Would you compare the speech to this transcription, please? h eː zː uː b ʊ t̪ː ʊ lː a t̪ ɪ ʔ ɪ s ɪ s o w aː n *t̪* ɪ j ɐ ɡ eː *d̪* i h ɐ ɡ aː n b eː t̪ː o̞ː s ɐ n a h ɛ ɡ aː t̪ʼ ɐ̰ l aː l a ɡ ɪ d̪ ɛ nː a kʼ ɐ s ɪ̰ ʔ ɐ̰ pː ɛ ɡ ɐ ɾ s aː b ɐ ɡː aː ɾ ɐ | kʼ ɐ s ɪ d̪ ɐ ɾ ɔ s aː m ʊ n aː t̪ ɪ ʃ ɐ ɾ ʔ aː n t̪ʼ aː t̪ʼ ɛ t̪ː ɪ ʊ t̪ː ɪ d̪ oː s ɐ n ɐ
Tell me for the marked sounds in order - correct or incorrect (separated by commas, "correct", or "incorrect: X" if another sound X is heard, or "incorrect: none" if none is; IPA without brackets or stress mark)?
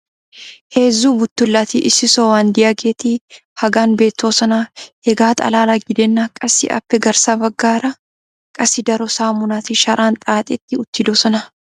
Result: incorrect: d̪, incorrect: t̪